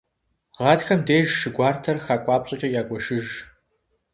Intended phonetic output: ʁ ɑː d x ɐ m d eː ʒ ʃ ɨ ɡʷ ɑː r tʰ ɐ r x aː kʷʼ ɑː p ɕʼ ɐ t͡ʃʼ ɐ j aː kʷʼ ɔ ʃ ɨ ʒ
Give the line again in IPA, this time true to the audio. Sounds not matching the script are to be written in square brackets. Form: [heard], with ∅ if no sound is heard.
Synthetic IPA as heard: ʁ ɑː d x ɐ m d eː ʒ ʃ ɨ ɡʷ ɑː r tʰ ɐ r x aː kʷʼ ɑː p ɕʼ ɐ t͡ʃʼ ɐ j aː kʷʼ ɔ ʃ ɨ ʒ